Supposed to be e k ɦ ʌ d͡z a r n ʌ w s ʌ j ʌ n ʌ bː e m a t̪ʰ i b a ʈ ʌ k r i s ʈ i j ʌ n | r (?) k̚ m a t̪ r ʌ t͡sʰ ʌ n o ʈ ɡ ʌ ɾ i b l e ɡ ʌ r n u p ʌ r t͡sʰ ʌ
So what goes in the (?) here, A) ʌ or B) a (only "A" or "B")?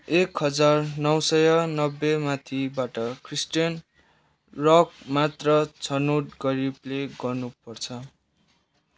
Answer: A